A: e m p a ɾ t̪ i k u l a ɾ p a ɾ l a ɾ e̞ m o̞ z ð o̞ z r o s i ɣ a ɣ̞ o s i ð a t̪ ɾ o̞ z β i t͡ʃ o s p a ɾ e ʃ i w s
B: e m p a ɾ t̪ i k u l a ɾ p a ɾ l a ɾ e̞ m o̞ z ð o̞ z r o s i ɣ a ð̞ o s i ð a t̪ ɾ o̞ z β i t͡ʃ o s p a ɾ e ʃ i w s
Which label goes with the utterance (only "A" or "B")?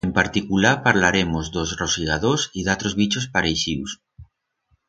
B